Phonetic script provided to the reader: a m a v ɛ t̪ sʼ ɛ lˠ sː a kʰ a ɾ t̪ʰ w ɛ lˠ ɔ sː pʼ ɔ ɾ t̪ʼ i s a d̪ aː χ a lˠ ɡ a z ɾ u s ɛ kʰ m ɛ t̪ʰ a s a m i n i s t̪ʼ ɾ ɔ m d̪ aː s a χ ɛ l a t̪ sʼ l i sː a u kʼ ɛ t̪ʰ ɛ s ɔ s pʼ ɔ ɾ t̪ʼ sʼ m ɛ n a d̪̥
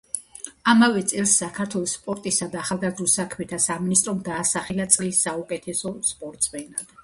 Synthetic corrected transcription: a m a v ɛ t̪ sʼ ɛ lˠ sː a kʰ a ɾ t̪ʰ w ɛ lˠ ɔ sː pʼ ɔ ɾ t̪ʼ i s a d̪ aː χ a lˠ ɡ a z ɾ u s a kʰ m ɛ t̪ʰ a s a m i n i s t̪ʼ ɾ ɔ m d̪ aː s a χ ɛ l a t̪ sʼ l i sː a u kʼ ɛ t̪ʰ ɛ s ɔ s pʼ ɔ ɾ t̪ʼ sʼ m ɛ n a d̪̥